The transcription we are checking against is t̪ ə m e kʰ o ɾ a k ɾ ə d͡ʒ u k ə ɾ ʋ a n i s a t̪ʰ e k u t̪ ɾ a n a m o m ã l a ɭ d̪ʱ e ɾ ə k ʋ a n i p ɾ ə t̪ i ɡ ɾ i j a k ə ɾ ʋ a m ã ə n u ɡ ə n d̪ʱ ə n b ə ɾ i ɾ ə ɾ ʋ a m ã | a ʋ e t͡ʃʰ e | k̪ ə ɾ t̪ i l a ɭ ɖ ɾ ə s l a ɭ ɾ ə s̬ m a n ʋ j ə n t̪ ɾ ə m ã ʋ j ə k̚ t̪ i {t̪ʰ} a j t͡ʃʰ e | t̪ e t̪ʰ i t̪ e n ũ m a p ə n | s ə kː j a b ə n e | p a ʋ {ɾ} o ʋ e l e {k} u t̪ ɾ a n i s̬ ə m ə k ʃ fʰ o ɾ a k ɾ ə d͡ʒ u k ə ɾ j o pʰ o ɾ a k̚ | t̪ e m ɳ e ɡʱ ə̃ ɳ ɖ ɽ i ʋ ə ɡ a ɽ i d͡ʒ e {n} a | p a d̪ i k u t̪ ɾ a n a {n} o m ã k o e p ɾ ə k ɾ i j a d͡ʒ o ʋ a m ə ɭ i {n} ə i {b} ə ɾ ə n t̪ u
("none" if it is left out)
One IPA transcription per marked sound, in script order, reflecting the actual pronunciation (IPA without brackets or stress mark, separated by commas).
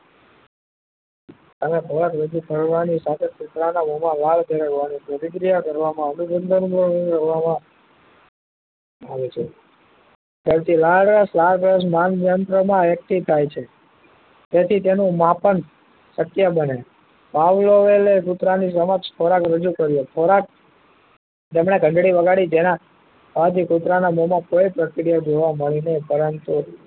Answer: t̪ʰ, l, k, n, m, n, p